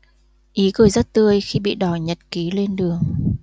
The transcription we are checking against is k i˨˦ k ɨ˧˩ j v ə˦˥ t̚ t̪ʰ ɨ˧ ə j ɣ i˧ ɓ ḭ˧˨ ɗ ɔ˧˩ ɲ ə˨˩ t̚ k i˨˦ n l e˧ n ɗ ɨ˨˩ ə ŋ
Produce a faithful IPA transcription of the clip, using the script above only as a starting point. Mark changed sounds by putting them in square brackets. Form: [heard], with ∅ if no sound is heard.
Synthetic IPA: [ʔ] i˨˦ k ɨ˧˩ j [z] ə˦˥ t̚ [t̪] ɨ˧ ə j [x] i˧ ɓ ḭ˧˨ ɗ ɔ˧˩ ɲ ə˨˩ t̚ k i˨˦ [∅] l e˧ n ɗ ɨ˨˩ ə ŋ